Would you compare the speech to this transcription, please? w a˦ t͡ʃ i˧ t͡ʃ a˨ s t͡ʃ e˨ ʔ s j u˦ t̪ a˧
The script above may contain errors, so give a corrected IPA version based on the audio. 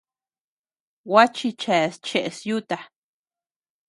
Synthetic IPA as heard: w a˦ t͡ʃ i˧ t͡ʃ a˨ s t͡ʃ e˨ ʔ s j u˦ t̪ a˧